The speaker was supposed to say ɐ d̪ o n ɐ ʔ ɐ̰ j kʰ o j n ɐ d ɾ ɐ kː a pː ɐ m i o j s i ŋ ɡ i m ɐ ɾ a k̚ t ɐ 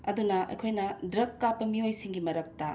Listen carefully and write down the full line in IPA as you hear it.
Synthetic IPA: ɐ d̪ u n ɐ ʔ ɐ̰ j kʰ o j n ɐ d ɾ ɐ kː a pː ɐ m i o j s i ŋ ɡ i m ɐ ɾ ɐ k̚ t ɐ